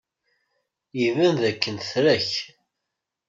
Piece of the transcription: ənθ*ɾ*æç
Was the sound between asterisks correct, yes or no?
yes